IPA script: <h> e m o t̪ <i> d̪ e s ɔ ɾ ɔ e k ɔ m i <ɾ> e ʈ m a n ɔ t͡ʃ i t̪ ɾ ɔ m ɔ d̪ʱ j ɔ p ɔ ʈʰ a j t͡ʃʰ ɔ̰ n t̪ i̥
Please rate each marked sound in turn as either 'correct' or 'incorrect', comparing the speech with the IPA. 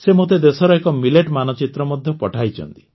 incorrect: s, incorrect: e, incorrect: l

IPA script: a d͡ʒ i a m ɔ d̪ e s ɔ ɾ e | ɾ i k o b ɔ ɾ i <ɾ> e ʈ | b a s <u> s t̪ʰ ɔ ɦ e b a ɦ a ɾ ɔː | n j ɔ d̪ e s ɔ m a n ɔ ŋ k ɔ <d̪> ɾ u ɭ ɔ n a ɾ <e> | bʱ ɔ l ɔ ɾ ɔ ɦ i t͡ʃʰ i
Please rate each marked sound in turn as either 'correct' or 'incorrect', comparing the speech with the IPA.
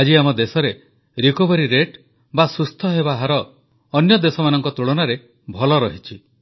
correct, correct, incorrect: t̪, correct

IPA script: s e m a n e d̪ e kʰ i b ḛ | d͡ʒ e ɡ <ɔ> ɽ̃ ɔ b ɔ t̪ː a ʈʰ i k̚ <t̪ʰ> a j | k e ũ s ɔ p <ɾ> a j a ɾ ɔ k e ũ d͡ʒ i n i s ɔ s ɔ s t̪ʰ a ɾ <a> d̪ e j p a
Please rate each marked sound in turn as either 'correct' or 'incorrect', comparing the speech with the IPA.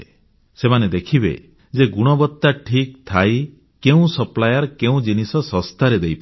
incorrect: u, correct, incorrect: l, incorrect: e

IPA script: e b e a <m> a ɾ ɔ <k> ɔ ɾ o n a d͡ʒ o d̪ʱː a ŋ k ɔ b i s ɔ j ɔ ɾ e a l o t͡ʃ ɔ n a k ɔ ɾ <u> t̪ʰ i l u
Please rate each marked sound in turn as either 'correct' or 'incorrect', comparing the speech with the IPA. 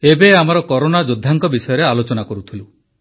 correct, correct, correct

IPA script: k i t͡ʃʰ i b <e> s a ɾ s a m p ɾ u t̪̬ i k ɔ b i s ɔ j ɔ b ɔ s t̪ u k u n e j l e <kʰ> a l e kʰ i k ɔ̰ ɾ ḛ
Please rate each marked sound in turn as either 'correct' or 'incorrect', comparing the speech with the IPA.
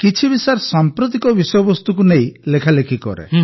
incorrect: i, correct

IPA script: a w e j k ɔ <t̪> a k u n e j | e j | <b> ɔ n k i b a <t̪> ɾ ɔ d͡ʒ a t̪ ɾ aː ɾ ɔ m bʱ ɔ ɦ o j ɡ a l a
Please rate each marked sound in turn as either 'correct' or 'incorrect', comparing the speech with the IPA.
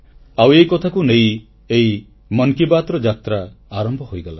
incorrect: t̪ʰ, incorrect: m, correct

